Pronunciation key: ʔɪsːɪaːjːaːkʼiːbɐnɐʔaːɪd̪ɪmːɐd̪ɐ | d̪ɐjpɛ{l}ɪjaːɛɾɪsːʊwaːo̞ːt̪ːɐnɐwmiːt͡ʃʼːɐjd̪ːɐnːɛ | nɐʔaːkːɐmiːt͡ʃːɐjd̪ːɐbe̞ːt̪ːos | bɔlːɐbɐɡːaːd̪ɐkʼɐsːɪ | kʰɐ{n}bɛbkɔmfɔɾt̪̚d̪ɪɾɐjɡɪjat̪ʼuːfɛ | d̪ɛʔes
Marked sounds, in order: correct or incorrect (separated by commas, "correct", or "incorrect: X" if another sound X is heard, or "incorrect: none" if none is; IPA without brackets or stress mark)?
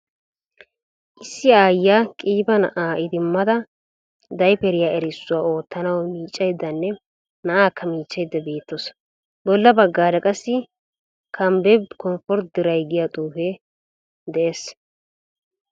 incorrect: ɾ, incorrect: m